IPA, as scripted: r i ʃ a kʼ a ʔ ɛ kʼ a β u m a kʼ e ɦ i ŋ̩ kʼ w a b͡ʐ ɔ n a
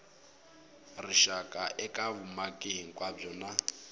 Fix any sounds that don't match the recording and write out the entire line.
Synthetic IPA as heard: r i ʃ a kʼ a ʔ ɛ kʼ a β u m a kʼ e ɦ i ŋ̩ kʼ w a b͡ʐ ɔ n a

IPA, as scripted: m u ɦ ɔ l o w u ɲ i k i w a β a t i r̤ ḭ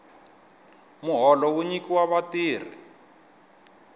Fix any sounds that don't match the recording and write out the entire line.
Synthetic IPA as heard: m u ɦ ɔ l ɔ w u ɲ i k i w a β a t iː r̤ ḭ

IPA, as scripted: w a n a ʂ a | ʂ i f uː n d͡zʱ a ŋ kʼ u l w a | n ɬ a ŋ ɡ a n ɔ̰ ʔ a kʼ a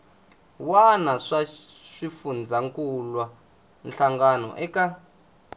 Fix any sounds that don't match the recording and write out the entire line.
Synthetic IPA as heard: w a n a ʂ a | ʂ i f u n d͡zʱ a ŋ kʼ u l w a | n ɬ a ŋ ɡ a n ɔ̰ ʔ ɛ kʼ a

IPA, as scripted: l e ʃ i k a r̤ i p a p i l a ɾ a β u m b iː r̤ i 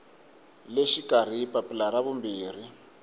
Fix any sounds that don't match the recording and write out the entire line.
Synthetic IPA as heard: l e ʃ i k a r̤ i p a p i l a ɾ a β u m b iː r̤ i

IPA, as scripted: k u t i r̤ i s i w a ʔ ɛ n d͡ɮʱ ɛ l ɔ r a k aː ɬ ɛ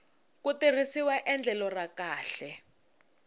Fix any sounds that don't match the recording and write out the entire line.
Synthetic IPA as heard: k u t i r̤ i s i w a ʔ ɛ n d͡ɮʱ ɛ l ɔ r a k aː ɬ ɛ

